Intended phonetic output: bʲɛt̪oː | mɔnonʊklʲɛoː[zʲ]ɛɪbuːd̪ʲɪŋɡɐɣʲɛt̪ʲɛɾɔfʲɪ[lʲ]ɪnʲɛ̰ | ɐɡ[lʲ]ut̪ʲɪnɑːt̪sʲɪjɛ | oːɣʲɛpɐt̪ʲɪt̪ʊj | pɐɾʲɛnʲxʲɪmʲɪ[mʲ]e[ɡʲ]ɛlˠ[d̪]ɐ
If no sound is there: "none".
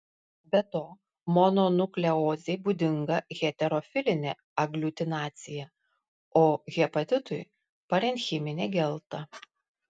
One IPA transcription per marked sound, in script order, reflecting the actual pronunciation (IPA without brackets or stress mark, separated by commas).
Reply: zʲ, lʲ, lʲ, nʲ, ɡʲ, t̪